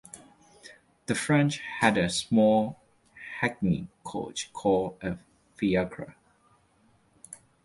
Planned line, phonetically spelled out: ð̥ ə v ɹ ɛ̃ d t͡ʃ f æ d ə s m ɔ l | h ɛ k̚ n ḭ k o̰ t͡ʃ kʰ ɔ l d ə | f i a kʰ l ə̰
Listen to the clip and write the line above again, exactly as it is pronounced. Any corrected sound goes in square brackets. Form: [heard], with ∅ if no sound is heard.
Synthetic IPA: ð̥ ə [f] ɹ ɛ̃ [n] t͡ʃ [h] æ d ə s m ɔ l | h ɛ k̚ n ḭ [kʰ] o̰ t͡ʃ kʰ ɔ l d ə | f i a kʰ [ɹ] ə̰